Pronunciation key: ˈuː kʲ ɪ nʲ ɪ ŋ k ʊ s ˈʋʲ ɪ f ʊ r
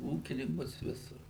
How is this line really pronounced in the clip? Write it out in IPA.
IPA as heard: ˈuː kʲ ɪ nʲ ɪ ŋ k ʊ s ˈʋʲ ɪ s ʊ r